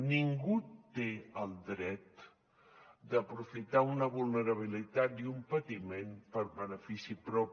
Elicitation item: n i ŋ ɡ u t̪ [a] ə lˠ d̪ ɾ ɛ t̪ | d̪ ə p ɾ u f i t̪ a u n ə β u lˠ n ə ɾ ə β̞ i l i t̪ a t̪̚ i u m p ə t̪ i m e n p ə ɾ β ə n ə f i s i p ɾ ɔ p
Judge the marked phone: incorrect: e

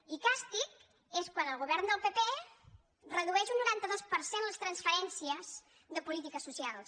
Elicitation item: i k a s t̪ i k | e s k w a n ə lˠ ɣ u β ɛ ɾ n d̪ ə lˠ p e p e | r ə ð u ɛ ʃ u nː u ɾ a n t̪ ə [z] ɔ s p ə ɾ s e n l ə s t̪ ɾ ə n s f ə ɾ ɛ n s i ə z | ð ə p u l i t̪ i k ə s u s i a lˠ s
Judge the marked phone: incorrect: ð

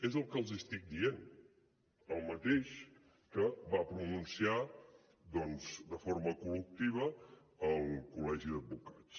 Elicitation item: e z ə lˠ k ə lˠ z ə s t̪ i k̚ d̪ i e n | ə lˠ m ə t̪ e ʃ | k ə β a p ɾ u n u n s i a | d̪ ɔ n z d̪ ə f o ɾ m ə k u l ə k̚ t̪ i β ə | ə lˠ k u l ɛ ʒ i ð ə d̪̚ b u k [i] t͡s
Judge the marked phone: incorrect: a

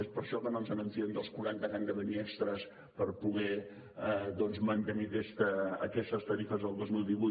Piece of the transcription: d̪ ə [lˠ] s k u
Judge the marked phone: correct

